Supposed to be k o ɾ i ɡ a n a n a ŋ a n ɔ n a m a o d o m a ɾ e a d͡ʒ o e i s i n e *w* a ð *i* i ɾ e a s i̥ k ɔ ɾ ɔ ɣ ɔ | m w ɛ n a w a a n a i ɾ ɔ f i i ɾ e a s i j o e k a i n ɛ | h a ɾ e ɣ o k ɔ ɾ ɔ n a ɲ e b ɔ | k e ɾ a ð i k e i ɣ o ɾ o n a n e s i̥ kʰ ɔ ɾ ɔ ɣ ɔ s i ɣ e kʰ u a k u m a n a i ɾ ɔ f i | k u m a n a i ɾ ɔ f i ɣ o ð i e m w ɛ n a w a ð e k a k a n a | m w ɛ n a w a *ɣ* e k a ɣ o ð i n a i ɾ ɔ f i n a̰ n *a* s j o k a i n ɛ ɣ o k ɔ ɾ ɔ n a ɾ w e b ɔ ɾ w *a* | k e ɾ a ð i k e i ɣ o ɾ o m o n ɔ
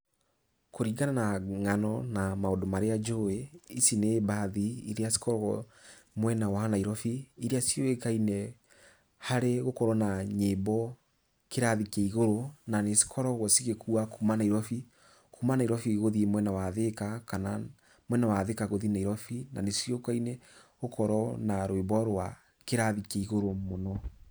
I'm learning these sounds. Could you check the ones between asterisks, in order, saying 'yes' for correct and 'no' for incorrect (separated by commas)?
no, yes, no, no, yes